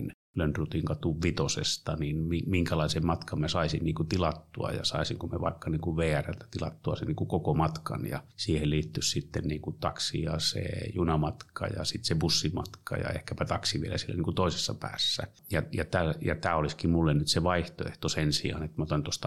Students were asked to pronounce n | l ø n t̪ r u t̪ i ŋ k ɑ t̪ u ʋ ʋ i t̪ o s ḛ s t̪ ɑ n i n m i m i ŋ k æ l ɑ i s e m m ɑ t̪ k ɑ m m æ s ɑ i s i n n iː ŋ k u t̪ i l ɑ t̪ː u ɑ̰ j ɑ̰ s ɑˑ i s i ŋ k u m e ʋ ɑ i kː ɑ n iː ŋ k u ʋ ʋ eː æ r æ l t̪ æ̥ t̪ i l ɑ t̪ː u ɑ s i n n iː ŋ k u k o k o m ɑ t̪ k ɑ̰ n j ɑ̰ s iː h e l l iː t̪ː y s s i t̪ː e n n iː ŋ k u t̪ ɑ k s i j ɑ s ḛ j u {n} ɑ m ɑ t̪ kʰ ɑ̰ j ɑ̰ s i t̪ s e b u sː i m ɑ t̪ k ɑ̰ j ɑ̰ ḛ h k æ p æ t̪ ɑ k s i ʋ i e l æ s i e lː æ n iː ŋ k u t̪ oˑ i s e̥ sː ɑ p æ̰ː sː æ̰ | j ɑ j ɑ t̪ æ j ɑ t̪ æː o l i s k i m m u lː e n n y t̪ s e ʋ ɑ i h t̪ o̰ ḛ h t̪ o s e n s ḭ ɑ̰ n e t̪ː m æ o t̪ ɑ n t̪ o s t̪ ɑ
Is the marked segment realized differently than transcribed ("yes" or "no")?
no